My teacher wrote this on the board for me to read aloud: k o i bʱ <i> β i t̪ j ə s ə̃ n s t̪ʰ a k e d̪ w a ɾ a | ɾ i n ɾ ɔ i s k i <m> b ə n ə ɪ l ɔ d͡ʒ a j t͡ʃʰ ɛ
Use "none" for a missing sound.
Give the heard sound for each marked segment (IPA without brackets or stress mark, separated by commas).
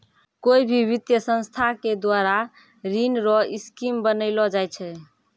i, m